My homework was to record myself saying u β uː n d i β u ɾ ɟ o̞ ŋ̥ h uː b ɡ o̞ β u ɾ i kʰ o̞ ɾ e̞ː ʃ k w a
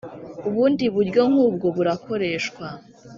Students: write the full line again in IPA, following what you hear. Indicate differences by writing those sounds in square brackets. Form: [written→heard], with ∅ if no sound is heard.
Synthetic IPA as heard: u β uː n d i β u ɾ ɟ o̞ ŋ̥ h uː b ɡ o̞ β u ɾ [i→a] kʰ o̞ ɾ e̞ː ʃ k w a